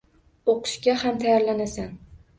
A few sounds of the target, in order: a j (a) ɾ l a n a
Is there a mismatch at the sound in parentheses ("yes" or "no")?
no